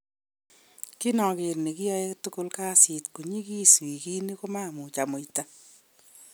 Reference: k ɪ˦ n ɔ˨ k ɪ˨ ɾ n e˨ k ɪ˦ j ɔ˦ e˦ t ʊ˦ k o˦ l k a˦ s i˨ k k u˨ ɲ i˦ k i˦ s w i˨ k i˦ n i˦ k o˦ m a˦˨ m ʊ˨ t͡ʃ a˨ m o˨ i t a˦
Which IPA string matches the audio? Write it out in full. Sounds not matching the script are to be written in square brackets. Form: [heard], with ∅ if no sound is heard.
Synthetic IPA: k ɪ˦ n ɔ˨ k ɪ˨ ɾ n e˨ k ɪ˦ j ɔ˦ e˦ t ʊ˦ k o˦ l k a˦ s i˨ [t] k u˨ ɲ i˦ k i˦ s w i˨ k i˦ n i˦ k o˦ m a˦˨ m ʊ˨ t͡ʃ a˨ m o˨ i t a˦